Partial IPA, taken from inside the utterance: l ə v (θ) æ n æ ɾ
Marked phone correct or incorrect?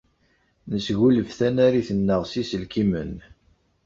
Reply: correct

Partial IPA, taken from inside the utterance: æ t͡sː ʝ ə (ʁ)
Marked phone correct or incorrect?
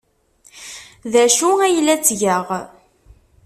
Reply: correct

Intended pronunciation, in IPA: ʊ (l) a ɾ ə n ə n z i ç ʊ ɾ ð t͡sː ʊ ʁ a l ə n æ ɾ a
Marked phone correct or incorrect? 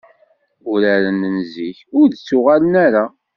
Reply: incorrect: ɾ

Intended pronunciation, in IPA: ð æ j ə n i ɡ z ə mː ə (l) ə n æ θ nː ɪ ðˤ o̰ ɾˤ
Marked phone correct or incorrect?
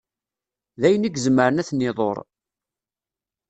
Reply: incorrect: ɾ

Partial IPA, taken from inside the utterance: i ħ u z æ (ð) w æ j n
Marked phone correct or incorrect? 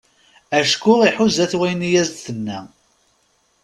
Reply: incorrect: θ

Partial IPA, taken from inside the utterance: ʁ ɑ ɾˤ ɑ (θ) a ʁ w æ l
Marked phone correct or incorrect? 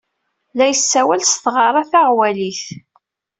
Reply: correct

